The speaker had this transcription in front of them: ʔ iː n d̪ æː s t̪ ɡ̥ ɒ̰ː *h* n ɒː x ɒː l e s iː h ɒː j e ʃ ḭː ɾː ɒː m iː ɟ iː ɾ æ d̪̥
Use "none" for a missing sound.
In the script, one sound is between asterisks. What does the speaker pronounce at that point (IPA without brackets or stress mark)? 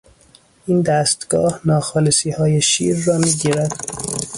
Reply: h